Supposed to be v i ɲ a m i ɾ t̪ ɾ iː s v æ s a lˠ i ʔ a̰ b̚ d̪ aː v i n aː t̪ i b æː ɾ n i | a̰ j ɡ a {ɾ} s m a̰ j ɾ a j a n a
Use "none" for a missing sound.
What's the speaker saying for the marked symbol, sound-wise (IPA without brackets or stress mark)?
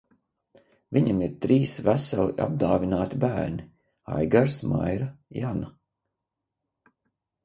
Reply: ɾ